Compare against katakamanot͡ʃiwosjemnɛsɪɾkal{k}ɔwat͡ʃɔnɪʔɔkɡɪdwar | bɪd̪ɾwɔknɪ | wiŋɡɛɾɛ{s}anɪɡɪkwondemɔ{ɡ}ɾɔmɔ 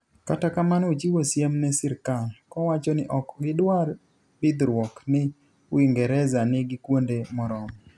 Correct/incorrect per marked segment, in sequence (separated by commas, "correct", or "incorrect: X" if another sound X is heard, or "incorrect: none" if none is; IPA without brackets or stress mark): correct, incorrect: z, incorrect: none